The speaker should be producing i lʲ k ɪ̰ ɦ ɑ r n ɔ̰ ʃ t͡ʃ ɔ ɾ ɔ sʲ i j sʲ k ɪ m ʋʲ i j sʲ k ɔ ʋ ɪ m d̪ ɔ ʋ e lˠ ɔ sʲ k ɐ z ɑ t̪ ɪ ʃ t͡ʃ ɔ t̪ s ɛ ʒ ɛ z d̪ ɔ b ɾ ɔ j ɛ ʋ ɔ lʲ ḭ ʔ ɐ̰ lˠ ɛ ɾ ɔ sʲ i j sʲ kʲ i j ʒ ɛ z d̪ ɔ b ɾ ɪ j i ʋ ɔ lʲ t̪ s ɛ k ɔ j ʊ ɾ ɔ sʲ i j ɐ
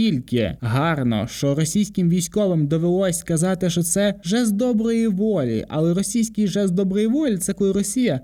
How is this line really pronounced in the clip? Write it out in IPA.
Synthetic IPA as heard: i lʲ k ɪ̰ ɦ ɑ r n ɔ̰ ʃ t͡ʃ ɔ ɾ ɔ sʲ i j sʲ k ɪ m ʋʲ i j sʲ k ɔ ʋ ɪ m d̪ ɔ ʋ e lˠ ɔ sʲ k ɐ z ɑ t̪ ɪ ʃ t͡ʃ ɔ t̪ s ɛ ʒ ɛ z d̪ ɔ b ɾ ɔ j i ʋ ɔ lʲ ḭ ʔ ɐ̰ lˠ ɛ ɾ ɔ sʲ i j sʲ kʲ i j ʒ ɛ z d̪ ɔ b ɾ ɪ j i ʋ ɔ lʲ t̪ s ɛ k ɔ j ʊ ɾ ɔ sʲ i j ɐ